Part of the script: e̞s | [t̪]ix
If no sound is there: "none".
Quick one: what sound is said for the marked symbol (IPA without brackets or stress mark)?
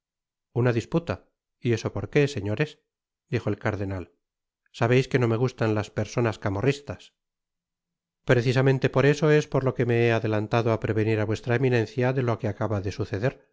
d̪